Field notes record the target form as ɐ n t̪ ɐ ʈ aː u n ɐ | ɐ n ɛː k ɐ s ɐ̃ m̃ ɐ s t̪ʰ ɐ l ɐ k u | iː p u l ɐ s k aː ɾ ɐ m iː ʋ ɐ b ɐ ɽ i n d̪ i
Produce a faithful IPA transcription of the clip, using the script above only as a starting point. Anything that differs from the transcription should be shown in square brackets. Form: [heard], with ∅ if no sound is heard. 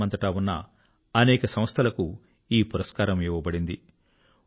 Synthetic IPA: ɐ n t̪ ɐ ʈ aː u [nː] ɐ | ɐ n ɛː k ɐ s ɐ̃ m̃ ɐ s t̪ʰ ɐ l ɐ k u | iː p u [ɾ] ɐ s k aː ɾ ɐ m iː ʋ ɐ b ɐ ɽ i n d̪ i